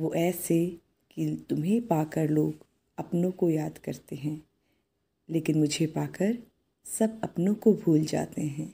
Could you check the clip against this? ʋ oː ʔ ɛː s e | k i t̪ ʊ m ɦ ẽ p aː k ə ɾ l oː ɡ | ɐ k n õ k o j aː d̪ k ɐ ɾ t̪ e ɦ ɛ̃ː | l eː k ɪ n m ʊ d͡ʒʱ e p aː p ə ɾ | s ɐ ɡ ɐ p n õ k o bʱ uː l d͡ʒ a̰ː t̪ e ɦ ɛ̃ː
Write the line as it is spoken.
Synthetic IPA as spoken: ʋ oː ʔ ɛː s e | k i t̪ ʊ m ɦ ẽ p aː k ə ɾ l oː ɡ | ɐ p n õ k o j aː d̪ k ɐ ɾ t̪ e ɦ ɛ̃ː | l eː k ɪ n m ʊ d͡ʒʱ e p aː k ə ɾ | s ɐ b ɐ p n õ k o bʱ uː l d͡ʒ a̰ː t̪ e ɦ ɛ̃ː